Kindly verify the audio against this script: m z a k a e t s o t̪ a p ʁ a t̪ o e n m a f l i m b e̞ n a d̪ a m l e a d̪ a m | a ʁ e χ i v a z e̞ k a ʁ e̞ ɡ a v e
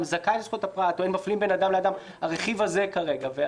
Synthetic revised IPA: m z a k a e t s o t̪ a p ʁ a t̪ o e n m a f l i m b e̞ n a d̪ a m l e a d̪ a m | a ʁ e χ i v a z e̞ k a ʁ e̞ ɡ a v e

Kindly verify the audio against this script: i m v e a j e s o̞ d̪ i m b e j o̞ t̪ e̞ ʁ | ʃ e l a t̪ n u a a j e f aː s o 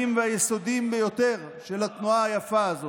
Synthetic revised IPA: i m v e a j e s o̞ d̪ i m b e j o̞ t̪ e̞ ʁ | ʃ e l a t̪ n u a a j a f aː z o

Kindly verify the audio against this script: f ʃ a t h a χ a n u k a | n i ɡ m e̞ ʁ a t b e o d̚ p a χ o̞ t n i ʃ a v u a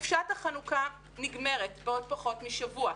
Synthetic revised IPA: f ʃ a t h a χ a n u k a | n i ɡ m e̞ ʁ e t b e o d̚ p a χ o̞ t m i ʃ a v u a

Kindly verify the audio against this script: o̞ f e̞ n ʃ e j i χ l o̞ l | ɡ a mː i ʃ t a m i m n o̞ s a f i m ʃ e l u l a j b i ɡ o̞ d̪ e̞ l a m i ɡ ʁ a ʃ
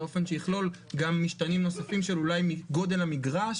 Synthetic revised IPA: o̞ f e̞ n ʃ e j i χ l o̞ l | ɡ a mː i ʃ t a n i m n o̞ s a f i m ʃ e l u l a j m i ɡ o̞ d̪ e̞ l a m i ɡ ʁ a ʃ

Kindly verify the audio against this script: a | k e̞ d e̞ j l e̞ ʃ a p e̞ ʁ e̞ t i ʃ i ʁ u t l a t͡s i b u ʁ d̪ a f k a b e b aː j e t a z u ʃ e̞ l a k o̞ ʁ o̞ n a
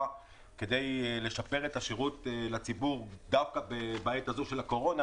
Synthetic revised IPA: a | k e̞ d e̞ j l e̞ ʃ a p e̞ ʁ e̞ t a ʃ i ʁ u t l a t͡s i b u ʁ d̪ a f k a b e b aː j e t a z u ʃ e̞ l a k o̞ ʁ o̞ n a

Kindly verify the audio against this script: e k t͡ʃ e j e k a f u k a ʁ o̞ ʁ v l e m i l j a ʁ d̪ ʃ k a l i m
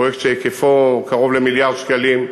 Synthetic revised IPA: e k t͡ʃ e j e k e f o k a ʁ o̞ v l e m i l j a ʁ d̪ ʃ k a l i m

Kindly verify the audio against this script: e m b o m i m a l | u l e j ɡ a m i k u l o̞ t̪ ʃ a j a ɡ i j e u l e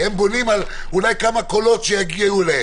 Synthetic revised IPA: e m b o n i m a l | u l a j k a m a k o l o̞ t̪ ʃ e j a ɡ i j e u l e

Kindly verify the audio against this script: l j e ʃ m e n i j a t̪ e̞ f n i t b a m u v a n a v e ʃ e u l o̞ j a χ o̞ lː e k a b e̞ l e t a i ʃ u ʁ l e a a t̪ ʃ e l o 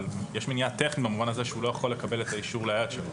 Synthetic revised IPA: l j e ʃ m e n i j a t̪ e̞ χ n i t b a m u v a n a z e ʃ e u l o̞ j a χ o̞ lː e k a b e̞ l e t a i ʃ u ʁ l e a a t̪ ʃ e l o

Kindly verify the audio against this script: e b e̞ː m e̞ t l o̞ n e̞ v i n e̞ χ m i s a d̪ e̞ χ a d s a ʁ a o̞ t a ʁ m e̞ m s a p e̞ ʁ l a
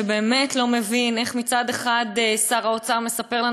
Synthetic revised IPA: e b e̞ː m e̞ t l o̞ m e̞ v i n e̞ χ m i t͡s a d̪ e̞ χ a d s a ʁ a o̞ t͡s a ʁ m e̞ s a p e̞ ʁ l a

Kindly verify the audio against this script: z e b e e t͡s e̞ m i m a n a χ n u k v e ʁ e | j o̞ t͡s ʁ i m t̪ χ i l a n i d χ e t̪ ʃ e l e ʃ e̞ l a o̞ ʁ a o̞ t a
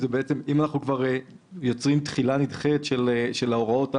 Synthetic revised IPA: z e b e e t͡s e̞ m i m a n a χ n u k v a ʁ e | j o̞ t͡s ʁ i m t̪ χ i l a n i d χ e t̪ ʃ e l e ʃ e̞ l a o̞ ʁ a o̞ t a

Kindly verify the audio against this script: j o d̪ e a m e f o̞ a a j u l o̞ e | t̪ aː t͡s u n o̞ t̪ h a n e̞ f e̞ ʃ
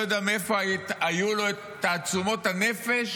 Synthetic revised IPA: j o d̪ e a m e f o̞ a a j u l o̞ e | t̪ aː t͡s u m o̞ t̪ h a n e̞ f e̞ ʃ

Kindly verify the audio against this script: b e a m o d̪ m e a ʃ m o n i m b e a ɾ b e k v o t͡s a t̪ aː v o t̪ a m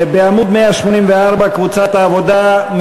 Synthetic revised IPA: b e a m u d̪ m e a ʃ m o n i m v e a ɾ b a k v u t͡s a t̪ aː v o d̪ a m

